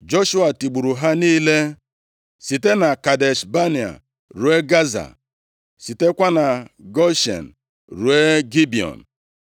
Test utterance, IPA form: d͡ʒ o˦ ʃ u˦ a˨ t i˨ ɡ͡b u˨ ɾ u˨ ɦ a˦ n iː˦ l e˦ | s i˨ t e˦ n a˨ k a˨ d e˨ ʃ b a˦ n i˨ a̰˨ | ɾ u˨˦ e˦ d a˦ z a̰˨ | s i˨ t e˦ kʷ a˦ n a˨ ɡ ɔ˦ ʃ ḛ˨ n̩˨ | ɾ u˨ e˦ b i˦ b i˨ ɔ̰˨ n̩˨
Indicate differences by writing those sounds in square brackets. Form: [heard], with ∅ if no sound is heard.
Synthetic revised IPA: d͡ʒ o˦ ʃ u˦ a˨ t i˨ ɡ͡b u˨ ɾ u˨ ɦ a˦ n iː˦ l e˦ | s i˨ t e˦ n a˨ k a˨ d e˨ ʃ b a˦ n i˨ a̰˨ | ɾ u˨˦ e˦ [ɡ] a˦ z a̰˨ | s i˨ t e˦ kʷ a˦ n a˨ ɡ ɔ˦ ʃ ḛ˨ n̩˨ | ɾ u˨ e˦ [ɡ] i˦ b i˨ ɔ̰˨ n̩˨